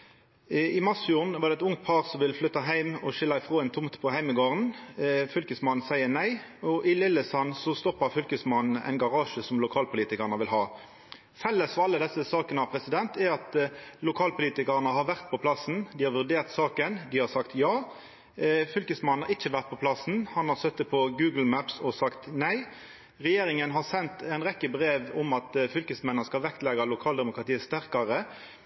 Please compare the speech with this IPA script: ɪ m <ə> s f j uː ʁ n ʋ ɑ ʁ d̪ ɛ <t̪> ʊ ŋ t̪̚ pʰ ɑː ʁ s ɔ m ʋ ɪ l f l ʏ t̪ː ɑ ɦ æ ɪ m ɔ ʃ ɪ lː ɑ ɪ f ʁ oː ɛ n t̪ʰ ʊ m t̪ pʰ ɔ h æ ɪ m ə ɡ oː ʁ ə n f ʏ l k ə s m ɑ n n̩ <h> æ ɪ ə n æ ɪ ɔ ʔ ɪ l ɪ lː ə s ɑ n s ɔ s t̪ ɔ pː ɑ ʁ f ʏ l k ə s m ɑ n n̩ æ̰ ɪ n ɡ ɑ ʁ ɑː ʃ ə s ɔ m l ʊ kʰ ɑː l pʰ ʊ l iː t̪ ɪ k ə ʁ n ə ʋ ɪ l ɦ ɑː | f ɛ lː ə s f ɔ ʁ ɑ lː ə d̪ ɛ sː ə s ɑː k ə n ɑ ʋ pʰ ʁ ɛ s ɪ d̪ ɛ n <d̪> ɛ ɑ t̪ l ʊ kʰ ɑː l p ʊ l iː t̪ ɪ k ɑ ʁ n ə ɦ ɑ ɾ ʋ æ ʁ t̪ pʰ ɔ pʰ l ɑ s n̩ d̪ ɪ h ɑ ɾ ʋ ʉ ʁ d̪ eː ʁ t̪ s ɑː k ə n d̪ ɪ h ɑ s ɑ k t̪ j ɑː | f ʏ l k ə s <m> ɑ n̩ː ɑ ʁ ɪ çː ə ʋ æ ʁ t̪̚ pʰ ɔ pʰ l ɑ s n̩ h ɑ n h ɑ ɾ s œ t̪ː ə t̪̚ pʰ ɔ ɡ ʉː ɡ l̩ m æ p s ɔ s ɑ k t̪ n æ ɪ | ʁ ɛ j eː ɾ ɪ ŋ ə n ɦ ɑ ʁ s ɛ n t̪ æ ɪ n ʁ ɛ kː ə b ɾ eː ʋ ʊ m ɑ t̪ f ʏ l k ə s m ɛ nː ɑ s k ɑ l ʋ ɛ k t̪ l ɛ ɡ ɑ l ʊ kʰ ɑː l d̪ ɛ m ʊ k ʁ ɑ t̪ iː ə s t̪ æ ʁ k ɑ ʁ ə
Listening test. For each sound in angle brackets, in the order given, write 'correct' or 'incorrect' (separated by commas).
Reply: incorrect, correct, incorrect, incorrect, correct